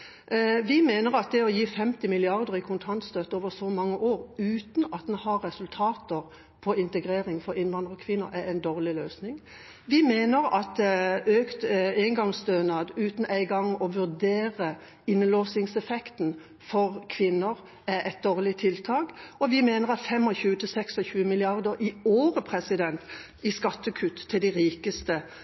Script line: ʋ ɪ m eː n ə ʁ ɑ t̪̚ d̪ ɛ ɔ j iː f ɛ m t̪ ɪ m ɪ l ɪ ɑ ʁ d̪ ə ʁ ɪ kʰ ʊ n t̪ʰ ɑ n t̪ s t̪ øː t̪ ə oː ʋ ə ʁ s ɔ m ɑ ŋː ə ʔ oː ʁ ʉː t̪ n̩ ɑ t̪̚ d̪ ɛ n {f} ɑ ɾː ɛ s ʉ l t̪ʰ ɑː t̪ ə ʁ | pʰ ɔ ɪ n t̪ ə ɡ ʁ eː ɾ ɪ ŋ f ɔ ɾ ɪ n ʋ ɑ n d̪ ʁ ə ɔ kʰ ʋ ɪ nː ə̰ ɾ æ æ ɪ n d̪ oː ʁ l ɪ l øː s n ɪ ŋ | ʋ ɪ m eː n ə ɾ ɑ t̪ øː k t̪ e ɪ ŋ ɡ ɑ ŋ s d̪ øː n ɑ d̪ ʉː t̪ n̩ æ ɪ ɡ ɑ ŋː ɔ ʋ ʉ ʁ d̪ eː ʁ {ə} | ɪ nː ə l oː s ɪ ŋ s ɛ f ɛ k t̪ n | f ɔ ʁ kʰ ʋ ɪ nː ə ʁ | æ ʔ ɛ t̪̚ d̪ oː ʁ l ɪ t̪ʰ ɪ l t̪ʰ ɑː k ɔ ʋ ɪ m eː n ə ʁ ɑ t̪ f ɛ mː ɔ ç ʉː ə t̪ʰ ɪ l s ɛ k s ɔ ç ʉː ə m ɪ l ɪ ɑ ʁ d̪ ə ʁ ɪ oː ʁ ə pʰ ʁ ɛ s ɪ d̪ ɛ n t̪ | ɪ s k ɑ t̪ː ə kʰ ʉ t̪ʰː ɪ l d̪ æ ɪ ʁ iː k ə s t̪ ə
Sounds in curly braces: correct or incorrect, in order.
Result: incorrect, correct

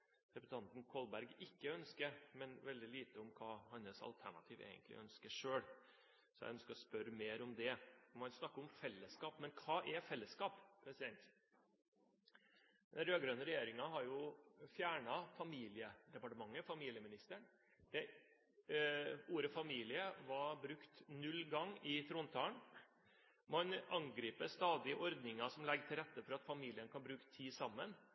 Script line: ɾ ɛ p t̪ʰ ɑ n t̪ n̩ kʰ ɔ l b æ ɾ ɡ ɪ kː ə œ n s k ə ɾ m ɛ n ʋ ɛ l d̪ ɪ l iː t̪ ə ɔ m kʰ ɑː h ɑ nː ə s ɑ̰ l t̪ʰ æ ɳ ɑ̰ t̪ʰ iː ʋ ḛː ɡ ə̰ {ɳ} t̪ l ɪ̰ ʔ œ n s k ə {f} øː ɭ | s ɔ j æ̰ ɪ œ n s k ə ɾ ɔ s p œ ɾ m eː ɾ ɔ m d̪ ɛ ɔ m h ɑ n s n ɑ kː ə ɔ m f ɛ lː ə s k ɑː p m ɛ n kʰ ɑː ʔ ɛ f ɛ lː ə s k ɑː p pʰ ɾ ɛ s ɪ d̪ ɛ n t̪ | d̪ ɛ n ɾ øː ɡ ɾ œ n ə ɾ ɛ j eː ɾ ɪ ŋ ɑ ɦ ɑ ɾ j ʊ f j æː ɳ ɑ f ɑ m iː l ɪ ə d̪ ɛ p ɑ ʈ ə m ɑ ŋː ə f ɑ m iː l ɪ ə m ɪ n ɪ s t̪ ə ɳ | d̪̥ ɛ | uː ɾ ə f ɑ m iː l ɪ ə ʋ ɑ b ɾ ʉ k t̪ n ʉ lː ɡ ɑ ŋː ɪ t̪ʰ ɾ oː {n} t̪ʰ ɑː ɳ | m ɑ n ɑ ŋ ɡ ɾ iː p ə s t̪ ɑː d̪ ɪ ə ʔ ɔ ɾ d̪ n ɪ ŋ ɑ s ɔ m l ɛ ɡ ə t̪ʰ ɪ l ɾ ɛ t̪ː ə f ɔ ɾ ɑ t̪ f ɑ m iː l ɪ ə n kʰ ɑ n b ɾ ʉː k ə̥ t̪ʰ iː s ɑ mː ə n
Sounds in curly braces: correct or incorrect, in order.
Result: incorrect, incorrect, correct

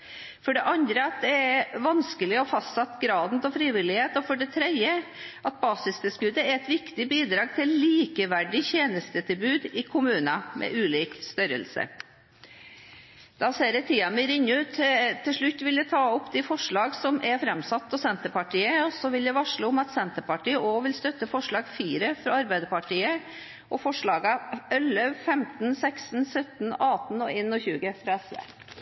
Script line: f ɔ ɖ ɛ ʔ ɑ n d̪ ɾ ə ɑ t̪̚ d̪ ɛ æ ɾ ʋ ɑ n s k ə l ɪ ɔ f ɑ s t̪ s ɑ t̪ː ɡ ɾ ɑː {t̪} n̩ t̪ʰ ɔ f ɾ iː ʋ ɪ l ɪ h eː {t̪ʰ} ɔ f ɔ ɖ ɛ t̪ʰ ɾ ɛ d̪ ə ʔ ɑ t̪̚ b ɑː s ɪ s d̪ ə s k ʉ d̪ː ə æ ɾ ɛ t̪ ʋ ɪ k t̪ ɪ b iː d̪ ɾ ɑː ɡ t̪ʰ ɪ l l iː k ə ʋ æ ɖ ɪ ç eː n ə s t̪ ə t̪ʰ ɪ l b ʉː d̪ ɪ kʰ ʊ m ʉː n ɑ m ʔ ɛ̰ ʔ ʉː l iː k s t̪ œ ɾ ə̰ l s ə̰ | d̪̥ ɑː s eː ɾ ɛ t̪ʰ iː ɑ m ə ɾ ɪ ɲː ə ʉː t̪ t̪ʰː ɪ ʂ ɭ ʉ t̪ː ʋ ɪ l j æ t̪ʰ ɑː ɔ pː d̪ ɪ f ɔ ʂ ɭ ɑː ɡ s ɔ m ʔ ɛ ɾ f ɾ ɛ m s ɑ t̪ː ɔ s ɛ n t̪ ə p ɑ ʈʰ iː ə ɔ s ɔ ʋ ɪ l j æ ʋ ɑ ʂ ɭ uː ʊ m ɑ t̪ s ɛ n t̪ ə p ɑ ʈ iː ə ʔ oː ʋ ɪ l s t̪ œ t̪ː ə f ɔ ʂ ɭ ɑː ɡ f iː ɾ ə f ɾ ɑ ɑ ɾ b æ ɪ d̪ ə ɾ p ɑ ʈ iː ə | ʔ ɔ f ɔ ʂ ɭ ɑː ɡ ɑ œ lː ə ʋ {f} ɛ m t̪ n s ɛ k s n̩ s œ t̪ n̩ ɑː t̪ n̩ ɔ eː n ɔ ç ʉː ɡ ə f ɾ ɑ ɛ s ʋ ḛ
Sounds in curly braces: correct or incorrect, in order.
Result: incorrect, incorrect, correct

